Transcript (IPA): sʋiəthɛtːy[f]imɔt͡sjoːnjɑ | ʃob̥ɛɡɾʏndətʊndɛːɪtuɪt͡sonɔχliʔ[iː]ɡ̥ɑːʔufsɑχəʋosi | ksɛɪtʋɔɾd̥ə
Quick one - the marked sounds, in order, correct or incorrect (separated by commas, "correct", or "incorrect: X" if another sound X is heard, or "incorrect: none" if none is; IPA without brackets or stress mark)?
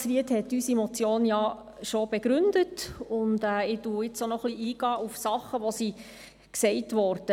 incorrect: s, correct